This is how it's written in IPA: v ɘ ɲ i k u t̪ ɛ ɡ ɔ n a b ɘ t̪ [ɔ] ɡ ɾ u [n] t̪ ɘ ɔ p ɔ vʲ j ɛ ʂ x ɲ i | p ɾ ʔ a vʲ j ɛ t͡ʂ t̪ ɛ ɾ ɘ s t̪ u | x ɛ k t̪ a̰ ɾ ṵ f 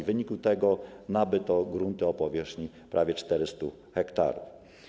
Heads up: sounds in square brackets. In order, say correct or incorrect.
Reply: correct, correct

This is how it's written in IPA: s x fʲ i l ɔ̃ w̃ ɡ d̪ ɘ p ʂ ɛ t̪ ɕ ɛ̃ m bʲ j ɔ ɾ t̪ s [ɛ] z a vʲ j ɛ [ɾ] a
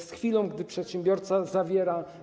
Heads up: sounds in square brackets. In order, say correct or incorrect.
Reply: incorrect, correct

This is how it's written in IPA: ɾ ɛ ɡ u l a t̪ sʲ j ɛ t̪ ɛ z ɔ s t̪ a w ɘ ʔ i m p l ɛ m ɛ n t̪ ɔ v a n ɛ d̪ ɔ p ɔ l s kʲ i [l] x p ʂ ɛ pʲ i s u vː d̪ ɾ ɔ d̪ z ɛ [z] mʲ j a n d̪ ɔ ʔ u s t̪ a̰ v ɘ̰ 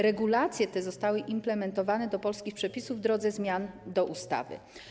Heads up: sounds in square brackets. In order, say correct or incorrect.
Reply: incorrect, correct

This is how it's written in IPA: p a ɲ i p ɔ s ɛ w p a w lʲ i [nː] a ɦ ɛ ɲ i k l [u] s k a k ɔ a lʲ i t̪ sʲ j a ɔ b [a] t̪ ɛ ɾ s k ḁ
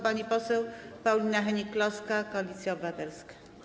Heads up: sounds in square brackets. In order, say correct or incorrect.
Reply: incorrect, incorrect, correct

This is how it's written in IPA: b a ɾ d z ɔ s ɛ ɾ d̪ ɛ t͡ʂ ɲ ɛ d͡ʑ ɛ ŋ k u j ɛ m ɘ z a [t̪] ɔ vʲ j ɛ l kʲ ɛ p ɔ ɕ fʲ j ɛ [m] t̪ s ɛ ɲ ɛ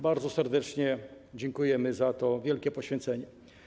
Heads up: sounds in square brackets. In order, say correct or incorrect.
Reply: correct, incorrect

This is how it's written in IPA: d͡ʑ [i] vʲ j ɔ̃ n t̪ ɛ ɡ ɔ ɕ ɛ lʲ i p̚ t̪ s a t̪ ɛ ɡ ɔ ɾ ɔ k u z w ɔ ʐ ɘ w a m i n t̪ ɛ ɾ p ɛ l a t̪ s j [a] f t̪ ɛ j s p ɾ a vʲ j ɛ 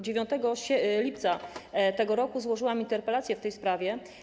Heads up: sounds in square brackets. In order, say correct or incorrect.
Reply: incorrect, incorrect

